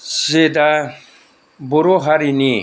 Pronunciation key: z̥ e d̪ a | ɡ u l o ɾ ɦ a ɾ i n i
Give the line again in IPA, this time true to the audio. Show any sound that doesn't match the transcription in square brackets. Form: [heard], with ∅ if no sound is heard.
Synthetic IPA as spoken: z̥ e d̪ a | [b] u [ɾ] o [∅] ɦ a ɾ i n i